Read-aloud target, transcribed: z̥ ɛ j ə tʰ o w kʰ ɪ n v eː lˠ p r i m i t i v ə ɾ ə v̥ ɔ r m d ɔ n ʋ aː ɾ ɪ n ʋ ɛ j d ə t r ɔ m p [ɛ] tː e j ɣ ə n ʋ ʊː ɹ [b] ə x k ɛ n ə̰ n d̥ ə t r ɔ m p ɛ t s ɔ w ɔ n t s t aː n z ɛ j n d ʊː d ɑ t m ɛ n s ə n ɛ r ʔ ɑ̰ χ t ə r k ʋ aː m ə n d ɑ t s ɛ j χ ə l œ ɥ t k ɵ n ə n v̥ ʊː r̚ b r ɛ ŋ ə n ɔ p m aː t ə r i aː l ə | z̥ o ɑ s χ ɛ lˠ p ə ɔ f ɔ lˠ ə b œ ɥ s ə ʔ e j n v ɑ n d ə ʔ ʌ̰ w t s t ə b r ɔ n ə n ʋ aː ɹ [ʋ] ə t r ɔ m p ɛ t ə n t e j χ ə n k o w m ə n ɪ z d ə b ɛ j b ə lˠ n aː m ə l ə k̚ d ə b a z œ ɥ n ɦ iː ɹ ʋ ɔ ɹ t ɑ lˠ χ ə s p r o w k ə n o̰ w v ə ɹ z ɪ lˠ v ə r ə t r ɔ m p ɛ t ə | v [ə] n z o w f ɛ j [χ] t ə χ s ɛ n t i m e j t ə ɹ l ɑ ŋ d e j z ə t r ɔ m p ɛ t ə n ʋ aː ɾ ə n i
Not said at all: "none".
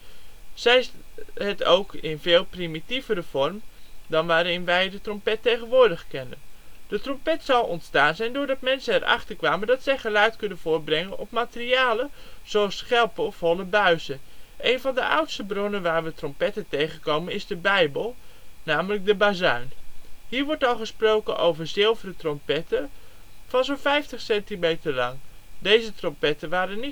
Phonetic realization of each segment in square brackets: ɛ, d, ʋ, ɑ, f

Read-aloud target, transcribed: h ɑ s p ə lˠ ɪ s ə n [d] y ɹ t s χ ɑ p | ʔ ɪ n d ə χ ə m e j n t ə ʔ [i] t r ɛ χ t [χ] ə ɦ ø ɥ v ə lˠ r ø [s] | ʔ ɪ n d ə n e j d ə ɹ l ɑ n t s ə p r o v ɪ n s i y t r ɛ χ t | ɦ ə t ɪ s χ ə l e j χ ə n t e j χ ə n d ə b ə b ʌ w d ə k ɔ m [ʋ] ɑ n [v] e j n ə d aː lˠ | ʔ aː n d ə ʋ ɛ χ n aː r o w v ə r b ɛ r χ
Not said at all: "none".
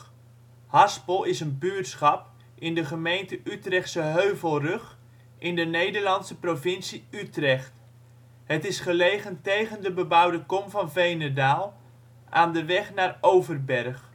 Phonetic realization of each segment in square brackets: b, y, s, χ, v, v

